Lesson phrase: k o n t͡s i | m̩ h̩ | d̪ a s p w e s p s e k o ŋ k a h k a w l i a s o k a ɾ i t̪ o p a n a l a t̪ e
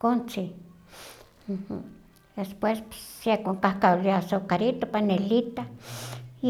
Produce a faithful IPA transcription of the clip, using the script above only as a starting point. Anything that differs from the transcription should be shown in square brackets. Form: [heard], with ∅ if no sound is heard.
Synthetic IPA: k o n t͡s i | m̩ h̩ | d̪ [e] s p w e s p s e k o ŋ k a h k a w l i a s o k a ɾ i t̪ o p a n [e] l [i] t̪ [a]